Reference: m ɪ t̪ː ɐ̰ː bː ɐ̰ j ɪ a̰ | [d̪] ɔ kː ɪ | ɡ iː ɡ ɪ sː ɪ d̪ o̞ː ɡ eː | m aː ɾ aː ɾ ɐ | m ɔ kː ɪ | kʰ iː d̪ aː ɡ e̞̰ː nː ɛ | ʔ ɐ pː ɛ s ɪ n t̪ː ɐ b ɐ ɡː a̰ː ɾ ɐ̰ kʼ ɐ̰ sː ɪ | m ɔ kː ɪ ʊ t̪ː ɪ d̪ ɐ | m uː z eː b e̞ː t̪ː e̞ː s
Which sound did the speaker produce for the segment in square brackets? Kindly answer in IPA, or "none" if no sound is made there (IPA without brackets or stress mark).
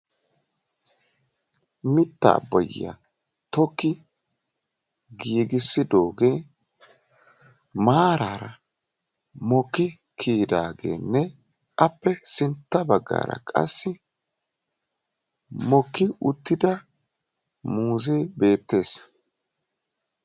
t̪